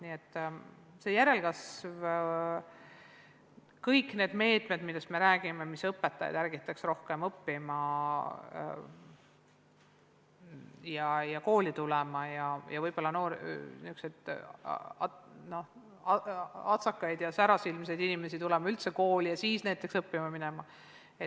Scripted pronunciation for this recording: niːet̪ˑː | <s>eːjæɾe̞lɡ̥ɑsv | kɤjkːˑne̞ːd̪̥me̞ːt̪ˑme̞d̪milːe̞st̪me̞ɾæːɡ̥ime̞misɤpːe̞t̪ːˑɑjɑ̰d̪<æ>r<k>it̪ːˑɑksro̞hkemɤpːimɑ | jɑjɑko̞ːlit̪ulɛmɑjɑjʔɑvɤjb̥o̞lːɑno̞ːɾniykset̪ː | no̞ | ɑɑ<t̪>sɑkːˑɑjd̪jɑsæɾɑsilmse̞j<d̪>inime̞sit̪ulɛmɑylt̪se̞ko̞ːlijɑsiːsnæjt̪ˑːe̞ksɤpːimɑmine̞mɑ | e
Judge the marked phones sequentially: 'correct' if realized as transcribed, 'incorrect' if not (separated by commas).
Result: correct, correct, incorrect, correct, correct